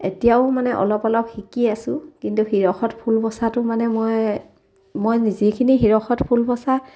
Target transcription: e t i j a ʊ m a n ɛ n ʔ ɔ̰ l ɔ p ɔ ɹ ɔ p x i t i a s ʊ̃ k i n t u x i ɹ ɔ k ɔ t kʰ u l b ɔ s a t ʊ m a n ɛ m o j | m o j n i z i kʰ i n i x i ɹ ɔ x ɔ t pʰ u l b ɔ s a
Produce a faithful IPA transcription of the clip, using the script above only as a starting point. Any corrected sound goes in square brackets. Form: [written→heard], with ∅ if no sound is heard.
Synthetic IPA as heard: e t i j a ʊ m a n ɛ [n→∅] ʔ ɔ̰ l ɔ p ɔ [ɹ→l] ɔ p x i [t→k] i a s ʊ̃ k i n t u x i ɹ ɔ [k→x] ɔ t [kʰ→pʰ] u l b ɔ s a t ʊ m a n ɛ m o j | m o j n i z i kʰ i n i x i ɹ ɔ x ɔ t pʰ u l b ɔ s a